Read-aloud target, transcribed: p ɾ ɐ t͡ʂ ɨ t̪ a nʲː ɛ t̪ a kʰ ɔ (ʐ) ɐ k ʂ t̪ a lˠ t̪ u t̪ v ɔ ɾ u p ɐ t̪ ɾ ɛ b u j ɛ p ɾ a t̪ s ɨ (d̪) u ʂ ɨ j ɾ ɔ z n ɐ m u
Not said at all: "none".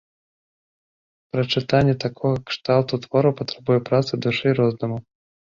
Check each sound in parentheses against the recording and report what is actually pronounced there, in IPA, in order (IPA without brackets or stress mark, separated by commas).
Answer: ɣ, d̪